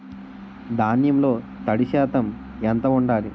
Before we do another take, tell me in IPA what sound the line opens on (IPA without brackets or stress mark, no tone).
d̪